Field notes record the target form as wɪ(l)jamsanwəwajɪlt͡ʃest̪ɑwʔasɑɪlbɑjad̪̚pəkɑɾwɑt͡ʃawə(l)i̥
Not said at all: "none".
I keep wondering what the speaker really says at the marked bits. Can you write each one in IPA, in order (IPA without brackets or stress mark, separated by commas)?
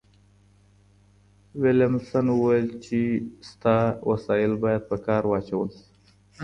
l, l